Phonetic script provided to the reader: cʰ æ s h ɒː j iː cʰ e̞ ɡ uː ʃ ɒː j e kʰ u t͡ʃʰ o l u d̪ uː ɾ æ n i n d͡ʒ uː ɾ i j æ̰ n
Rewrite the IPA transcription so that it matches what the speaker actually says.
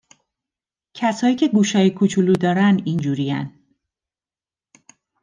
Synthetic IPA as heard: cʰ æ s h ɒː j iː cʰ e̞ ɡ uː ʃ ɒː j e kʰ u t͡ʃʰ u l u d̪ ɒː ɾ æ n i n d͡ʒ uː ɾ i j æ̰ n